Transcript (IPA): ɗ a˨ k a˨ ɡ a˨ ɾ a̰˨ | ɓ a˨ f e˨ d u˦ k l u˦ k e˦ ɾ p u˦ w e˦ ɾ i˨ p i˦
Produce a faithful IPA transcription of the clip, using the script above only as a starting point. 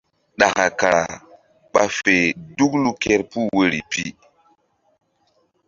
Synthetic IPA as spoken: ɗ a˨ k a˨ k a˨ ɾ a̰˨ | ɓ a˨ f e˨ d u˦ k l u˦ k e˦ ɾ p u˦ w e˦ ɾ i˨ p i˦